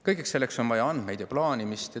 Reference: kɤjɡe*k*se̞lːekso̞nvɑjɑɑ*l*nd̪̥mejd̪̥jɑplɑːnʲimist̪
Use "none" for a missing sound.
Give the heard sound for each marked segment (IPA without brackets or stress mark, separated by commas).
k, none